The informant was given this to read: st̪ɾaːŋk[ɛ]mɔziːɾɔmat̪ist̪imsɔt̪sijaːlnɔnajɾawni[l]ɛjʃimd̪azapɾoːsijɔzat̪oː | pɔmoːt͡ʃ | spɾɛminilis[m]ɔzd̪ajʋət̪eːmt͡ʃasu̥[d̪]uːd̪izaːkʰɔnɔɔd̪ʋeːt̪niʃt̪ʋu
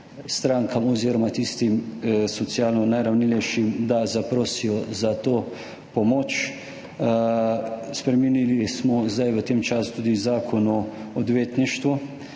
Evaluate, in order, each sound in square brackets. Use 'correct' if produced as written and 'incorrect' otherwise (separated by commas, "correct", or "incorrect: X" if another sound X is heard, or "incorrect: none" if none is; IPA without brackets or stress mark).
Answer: incorrect: a, correct, correct, incorrect: t̪